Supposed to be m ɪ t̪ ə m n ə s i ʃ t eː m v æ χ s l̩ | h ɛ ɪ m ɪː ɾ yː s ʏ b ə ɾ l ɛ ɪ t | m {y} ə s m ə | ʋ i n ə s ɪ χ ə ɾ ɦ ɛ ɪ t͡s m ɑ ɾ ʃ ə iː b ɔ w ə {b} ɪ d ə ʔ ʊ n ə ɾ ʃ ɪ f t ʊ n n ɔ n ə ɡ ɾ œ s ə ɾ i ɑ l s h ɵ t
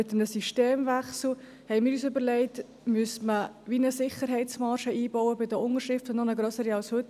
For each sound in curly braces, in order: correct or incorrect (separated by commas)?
correct, correct